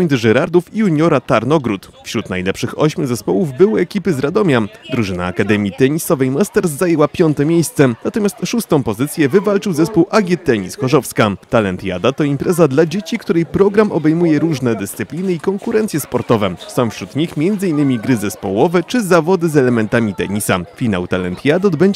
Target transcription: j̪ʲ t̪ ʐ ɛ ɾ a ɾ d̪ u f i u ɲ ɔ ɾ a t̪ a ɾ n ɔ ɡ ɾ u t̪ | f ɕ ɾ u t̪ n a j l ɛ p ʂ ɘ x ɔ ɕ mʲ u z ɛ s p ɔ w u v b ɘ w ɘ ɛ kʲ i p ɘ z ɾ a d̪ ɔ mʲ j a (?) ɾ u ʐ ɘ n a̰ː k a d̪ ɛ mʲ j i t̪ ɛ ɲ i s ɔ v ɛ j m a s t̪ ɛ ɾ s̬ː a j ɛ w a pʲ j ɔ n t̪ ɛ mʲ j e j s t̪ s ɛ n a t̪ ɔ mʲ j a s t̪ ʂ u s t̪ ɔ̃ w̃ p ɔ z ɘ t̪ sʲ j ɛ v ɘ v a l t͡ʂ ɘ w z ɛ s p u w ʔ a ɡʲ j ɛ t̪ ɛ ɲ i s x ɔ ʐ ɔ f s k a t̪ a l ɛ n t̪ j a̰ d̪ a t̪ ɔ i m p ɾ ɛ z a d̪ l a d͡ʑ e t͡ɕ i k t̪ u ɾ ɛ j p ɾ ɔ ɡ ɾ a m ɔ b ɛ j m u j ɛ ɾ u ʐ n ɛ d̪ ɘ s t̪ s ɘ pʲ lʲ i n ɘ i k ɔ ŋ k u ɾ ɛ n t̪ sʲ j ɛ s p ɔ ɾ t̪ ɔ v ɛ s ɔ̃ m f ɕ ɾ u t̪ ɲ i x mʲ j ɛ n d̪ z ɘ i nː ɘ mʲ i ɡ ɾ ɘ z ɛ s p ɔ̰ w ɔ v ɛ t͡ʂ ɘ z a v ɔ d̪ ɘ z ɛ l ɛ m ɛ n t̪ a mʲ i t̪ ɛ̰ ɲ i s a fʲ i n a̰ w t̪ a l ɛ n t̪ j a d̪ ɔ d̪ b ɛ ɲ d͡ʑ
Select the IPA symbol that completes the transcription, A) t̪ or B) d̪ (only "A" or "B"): B